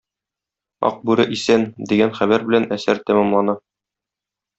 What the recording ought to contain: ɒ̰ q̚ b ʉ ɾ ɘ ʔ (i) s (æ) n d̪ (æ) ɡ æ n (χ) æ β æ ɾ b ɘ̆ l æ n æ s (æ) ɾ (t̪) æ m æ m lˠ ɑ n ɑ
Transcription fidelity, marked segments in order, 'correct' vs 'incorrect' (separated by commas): correct, correct, incorrect, correct, correct, correct